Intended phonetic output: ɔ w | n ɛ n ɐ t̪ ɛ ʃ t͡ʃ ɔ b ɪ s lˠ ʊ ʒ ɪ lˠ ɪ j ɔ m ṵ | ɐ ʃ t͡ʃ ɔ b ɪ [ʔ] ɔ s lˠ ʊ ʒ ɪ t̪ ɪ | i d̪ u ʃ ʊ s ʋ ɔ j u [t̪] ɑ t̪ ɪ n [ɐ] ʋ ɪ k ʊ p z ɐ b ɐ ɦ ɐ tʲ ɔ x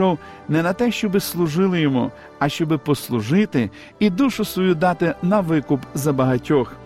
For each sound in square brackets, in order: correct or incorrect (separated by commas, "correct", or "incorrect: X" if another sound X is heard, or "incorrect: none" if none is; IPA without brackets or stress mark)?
incorrect: p, incorrect: d̪, correct